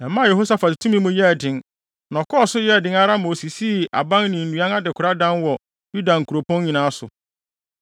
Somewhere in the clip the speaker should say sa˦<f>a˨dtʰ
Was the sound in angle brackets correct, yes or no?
yes